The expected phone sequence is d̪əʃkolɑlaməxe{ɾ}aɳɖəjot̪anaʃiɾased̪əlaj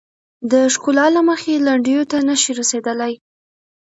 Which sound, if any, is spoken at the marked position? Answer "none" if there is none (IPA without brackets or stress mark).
l